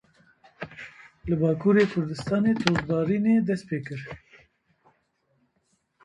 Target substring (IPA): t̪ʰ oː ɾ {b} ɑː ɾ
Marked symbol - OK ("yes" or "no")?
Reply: yes